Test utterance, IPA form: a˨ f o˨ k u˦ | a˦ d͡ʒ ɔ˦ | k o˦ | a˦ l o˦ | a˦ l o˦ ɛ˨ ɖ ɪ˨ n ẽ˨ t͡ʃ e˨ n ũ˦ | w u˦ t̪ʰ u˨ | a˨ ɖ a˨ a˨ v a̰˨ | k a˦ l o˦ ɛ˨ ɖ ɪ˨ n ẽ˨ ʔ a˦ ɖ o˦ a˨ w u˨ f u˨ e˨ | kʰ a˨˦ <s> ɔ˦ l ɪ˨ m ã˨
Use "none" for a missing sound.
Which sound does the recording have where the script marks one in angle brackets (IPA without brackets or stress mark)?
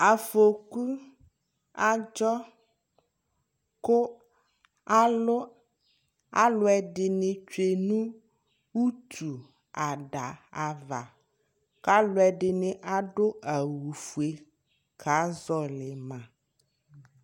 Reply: z